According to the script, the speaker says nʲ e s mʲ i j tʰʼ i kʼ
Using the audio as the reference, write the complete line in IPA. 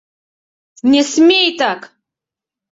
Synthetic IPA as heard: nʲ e s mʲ e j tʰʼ a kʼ